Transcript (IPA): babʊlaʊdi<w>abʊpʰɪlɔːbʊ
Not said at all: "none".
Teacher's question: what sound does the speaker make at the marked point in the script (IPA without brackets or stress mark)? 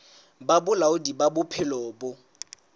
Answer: b